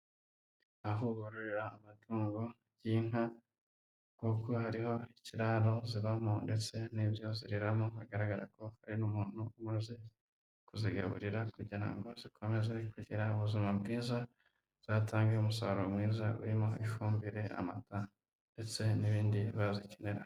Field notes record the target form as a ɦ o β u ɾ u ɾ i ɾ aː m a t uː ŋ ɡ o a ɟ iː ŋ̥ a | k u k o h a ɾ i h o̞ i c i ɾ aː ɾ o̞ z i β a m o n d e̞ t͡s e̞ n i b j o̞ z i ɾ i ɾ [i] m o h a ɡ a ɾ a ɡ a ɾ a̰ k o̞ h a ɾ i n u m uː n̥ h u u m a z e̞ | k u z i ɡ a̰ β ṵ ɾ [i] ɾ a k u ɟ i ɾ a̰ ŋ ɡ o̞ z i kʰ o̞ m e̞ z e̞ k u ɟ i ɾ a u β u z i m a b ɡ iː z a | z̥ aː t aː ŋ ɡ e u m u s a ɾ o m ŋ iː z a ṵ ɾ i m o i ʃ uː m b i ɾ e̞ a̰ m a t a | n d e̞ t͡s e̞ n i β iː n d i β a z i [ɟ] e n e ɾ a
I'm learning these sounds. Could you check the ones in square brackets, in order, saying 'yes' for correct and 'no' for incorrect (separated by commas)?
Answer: no, yes, no